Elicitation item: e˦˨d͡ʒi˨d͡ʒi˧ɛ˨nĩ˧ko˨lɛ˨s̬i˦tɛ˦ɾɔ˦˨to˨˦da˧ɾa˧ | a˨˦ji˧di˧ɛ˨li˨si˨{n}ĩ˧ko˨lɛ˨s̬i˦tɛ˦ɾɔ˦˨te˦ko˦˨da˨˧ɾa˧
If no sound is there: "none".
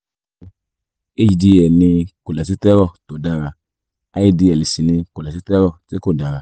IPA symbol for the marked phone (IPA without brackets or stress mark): n